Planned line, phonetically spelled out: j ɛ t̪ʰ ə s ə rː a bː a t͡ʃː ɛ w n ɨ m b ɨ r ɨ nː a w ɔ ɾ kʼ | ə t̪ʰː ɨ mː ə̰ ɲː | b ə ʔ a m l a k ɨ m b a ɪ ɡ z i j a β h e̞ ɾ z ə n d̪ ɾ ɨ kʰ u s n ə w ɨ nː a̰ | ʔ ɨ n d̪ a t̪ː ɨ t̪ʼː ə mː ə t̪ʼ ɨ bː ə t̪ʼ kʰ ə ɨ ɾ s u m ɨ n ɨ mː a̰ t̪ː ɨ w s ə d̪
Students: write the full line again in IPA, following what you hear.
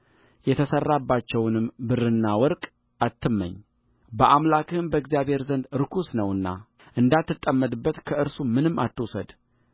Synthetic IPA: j ɛ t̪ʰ ə s ə rː a bː a t͡ʃː ɛ w n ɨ m b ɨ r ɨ nː a w ɔ ɾ kʼ | a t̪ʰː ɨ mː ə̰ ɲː | b ə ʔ a m l a k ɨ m b ə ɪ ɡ z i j a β h e̞ ɾ z ə n d̪ ɾ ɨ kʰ u s n ə w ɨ nː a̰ | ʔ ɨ n d̪ a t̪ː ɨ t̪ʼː ə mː ə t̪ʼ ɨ bː ə t̪ kʰ ə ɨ ɾ s u m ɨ n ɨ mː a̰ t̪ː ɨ w s ə d̪